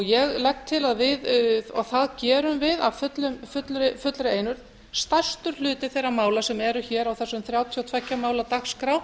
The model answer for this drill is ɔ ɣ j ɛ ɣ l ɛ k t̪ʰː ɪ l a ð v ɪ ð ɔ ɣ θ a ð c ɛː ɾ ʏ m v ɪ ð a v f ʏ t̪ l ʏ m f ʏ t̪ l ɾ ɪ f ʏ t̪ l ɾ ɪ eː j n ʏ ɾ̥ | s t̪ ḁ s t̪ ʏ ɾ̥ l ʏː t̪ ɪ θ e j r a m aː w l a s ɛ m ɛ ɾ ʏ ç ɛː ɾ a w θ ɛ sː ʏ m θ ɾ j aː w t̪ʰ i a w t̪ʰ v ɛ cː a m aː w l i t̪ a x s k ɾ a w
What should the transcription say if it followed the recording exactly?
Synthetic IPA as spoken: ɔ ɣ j ɛ ɣ l ɛ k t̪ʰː ɪ l a ð v ɪ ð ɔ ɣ θ a ð c ɛː ɾ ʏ m v ɪ ð a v f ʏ t̪ l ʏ m f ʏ t̪ l ɾ ɪ f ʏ t̪ l ɾ ɪ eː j n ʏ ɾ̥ | s t̪ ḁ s t̪ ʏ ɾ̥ l ʏː t̪ ɪ θ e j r a m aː w l a s ɛ m ɛ ɾ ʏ ç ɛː ɾ a w θ ɛ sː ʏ m θ ɾ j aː w t̪ʰ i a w t̪ʰ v ɛ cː a m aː w l a t̪ a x s k ɾ a w